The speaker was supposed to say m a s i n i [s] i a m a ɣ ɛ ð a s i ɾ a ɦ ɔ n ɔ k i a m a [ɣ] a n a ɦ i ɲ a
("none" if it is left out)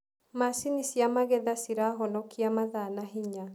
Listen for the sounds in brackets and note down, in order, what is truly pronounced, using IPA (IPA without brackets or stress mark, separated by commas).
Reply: s, ð